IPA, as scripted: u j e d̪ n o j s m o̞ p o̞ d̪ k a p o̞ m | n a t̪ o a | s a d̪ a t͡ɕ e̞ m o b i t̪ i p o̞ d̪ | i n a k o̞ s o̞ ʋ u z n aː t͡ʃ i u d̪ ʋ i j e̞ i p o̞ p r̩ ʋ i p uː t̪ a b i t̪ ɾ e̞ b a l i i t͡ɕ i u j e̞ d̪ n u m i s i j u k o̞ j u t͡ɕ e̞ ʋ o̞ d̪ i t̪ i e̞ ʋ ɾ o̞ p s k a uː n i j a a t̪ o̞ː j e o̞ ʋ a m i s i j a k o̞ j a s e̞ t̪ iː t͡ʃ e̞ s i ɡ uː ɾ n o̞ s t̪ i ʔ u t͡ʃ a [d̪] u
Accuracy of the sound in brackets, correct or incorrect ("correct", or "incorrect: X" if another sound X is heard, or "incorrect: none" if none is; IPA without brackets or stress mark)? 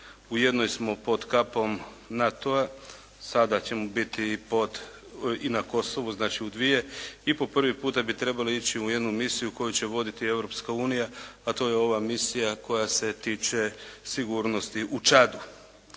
correct